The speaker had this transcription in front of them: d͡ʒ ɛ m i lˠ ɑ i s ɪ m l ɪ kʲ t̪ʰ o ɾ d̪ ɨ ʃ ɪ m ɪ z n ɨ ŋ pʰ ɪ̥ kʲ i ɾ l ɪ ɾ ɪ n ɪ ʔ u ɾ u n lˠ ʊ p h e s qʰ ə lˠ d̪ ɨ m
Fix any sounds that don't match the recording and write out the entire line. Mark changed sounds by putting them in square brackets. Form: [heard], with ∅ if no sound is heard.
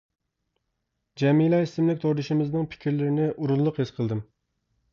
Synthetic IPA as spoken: d͡ʒ ɛ m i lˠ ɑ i s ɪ m l ɪ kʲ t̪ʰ o ɾ d̪ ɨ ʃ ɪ m ɪ z n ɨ ŋ pʰ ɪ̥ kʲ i ɾ l ɪ ɾ ɪ n ɪ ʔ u ɾ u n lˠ ʊ [q] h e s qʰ ə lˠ d̪ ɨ m